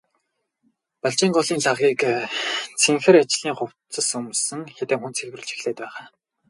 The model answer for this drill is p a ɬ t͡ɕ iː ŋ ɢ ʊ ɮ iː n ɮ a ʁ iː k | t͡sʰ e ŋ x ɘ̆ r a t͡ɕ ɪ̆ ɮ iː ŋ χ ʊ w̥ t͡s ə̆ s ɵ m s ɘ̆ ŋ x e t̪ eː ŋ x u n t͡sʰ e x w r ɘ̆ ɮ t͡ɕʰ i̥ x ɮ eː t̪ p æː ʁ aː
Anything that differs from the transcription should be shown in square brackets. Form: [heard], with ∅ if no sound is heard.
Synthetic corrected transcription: p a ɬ t͡ɕ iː ŋ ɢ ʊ ɮ iː n ɮ a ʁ iː k | t͡sʰ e ŋ x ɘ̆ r a t͡ɕ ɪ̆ ɮ iː ŋ χ ʊ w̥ t͡s ə̆ s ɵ m s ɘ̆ ŋ x e t̪ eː ŋ x u n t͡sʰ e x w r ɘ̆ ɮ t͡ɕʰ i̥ x ɮ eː t̪ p æː ʁ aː